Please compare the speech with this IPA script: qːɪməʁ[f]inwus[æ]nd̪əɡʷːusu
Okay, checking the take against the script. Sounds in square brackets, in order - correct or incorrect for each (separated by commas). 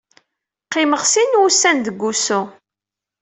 incorrect, correct